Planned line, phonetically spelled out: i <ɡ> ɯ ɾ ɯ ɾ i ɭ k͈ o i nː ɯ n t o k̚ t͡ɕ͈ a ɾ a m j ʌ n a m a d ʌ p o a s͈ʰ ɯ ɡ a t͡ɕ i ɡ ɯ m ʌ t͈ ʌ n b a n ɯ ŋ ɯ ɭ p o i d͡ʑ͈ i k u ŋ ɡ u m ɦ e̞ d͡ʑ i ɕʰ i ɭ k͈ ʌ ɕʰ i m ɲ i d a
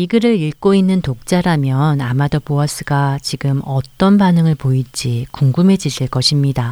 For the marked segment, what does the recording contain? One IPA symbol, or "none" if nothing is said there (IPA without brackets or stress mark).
ɡ